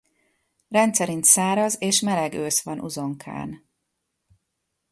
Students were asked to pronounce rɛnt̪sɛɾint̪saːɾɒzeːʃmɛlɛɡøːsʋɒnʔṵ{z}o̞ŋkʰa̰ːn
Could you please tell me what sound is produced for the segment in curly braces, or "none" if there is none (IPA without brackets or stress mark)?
z